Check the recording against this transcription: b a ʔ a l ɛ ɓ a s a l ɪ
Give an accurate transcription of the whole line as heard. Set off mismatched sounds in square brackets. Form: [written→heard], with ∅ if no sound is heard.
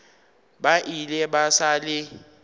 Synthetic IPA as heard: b a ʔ [a→i] l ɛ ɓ a s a l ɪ